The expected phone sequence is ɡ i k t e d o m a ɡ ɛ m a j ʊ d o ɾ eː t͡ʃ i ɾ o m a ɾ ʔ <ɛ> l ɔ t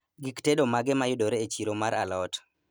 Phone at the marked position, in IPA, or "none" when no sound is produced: a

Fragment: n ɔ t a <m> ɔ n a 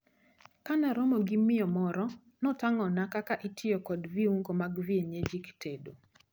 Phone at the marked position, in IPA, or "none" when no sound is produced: ŋ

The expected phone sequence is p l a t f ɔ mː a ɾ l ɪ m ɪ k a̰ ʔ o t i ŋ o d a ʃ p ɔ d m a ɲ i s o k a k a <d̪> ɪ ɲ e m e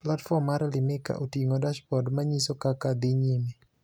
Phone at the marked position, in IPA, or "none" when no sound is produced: d̪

